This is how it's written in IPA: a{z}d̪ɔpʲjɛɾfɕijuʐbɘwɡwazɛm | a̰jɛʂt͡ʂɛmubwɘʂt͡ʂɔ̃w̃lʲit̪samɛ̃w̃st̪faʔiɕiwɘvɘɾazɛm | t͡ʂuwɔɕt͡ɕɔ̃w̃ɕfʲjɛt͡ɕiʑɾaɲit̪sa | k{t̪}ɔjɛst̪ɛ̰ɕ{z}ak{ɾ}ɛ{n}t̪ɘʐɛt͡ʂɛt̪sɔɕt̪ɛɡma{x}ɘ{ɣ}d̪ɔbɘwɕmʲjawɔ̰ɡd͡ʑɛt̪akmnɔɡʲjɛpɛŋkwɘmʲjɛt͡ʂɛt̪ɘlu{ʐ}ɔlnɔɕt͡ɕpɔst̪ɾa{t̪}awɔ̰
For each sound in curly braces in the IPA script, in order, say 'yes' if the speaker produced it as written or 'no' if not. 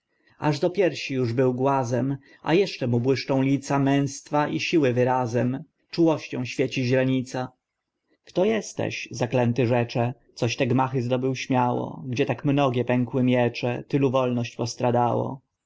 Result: no, yes, yes, no, yes, yes, no, no, no

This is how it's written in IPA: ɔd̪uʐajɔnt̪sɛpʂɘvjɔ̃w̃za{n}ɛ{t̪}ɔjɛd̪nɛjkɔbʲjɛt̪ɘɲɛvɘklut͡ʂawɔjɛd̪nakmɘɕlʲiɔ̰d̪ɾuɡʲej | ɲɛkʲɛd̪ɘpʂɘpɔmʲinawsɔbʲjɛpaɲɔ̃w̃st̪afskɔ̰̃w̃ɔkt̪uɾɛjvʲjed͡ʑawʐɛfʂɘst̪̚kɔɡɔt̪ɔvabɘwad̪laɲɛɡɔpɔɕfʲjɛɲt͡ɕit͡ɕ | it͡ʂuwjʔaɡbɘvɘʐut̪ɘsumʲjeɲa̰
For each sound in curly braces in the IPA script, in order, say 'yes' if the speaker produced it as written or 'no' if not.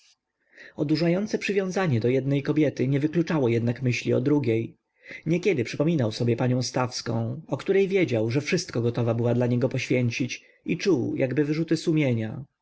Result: no, no

